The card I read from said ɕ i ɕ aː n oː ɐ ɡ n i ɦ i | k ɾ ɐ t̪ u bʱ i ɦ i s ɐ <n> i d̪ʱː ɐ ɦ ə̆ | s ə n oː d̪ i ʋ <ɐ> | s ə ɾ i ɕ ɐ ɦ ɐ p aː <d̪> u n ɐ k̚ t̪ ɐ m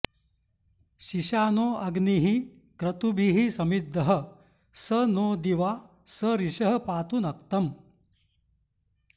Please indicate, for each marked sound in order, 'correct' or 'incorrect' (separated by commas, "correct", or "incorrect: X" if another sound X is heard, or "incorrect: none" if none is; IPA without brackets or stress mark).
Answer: incorrect: m, incorrect: a, incorrect: t̪